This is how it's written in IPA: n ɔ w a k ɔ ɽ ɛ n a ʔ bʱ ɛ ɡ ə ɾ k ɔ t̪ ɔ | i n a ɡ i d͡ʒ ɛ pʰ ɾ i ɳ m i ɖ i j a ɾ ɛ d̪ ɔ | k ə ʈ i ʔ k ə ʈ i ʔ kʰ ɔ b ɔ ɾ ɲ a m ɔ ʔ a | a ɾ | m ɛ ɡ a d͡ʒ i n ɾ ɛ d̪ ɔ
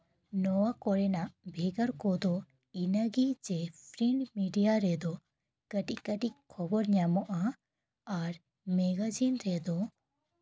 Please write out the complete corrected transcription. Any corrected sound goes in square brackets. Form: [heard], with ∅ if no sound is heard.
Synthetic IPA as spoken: n ɔ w a k ɔ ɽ ɛ n a ʔ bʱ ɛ ɡ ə ɾ k ɔ [d̪] ɔ | i n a ɡ i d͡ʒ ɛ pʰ ɾ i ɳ m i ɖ i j a ɾ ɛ d̪ ɔ | k ə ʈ i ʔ k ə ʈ i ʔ kʰ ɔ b ɔ ɾ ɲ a m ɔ ʔ a | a ɾ | m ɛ ɡ a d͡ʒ i n ɾ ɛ d̪ ɔ